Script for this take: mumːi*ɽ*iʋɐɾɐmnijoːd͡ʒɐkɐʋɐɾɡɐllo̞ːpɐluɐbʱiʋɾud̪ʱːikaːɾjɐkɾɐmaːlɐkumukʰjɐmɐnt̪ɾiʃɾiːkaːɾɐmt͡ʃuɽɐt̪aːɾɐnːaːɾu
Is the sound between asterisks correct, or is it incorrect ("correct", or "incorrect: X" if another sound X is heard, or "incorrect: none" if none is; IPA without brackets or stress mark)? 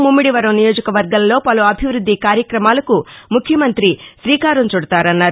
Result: correct